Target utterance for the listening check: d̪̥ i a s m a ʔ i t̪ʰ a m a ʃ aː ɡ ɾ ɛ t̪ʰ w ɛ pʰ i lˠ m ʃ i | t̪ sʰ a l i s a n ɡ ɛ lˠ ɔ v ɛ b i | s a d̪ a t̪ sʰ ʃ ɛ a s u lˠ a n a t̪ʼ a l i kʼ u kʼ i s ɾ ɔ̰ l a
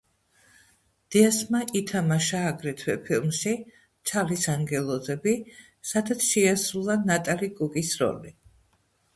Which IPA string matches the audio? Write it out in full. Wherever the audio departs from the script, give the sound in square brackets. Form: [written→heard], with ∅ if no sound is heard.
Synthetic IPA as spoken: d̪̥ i a s m a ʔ i t̪ʰ a m a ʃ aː ɡ ɾ ɛ t̪ʰ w ɛ pʰ i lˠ m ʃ i | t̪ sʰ a l i s a [n→ŋ] ɡ ɛ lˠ ɔ [v→z] ɛ b i | s a d̪ a t̪ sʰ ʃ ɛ a s u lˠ a n a t̪ʼ a l i kʼ u kʼ i s ɾ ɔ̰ l [a→i]